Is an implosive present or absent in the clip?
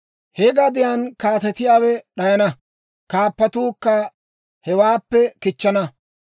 present